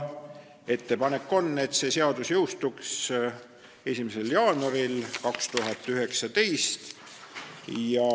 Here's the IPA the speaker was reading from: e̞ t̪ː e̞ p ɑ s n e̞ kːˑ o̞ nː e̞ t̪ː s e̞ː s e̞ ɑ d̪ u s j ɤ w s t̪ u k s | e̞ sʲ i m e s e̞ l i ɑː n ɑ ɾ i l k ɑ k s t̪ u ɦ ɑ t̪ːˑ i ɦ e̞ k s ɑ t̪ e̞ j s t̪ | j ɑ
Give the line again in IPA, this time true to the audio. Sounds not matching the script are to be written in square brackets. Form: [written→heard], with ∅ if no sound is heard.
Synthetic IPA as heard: e̞ t̪ː e̞ p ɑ [s→∅] n e̞ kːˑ o̞ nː e̞ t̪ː s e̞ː s e̞ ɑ d̪ u s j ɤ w s t̪ u k s | e̞ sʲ i m e s e̞ l [i→j] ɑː n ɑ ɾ i l k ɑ k s t̪ u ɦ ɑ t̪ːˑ [i→y] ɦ e̞ k s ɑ t̪ e̞ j s t̪ | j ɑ